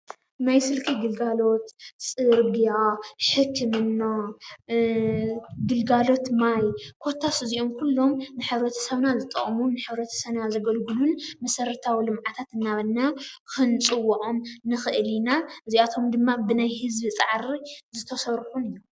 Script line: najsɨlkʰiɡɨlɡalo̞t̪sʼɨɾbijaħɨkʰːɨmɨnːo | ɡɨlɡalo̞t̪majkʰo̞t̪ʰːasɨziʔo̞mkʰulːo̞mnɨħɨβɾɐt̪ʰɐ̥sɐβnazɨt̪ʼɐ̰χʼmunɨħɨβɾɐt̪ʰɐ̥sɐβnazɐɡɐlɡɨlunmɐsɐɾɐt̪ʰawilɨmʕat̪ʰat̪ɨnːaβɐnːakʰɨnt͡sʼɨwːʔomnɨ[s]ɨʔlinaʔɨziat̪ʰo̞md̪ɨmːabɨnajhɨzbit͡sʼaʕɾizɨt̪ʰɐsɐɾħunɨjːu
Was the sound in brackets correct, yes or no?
no